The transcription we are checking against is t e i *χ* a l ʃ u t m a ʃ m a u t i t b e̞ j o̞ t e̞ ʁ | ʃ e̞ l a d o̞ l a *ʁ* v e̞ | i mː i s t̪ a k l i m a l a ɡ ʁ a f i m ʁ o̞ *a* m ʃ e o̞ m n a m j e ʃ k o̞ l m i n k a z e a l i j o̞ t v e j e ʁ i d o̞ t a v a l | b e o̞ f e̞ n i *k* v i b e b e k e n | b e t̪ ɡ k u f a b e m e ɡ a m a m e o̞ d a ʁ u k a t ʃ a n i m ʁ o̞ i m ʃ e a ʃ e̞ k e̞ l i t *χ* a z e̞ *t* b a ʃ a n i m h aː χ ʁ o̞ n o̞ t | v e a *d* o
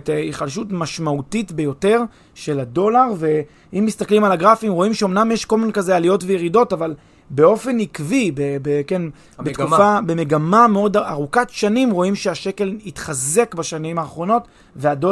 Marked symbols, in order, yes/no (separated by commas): yes, yes, no, yes, yes, no, yes